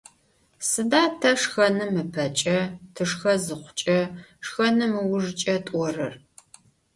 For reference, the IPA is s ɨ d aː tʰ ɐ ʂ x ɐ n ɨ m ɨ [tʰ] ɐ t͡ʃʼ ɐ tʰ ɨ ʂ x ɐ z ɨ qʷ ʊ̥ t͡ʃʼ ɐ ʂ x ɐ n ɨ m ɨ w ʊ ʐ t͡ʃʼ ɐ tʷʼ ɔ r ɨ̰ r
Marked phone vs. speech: incorrect: pʰ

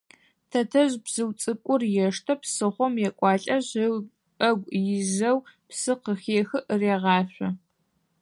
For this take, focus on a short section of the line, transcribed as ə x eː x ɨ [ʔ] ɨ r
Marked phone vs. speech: correct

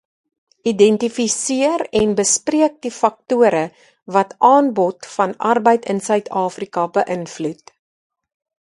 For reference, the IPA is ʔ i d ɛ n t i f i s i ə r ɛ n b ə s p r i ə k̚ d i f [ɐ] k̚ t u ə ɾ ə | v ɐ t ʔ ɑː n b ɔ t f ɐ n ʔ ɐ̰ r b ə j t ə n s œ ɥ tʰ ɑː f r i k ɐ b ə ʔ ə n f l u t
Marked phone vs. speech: correct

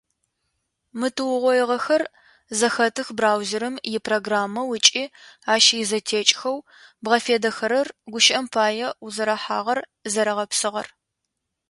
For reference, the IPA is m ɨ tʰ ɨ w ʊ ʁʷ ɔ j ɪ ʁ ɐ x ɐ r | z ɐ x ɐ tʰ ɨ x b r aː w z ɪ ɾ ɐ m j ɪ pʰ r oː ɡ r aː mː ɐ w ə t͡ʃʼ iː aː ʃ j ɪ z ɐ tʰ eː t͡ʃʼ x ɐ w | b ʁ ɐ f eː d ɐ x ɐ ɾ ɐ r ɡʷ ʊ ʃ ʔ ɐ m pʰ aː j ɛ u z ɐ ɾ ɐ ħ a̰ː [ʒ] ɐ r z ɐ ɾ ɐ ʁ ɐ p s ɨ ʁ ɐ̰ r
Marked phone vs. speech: incorrect: ʁ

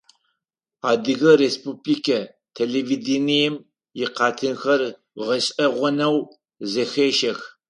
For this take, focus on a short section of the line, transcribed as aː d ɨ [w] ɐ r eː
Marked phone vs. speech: incorrect: ɣ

